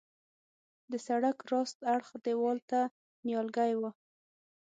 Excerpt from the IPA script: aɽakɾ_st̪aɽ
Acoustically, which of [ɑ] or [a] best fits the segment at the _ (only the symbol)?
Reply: ɑ